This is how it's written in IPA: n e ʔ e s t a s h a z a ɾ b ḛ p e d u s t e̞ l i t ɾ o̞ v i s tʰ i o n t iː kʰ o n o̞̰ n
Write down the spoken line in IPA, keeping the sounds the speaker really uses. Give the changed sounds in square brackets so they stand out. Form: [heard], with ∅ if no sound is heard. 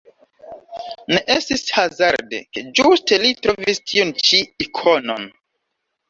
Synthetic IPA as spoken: n e ʔ e s t [i] s h a z a ɾ [d] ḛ [k] e [d͡ʒ] u s t e̞ l i t ɾ o̞ v i s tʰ i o n [t͡ʃ] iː kʰ o n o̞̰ n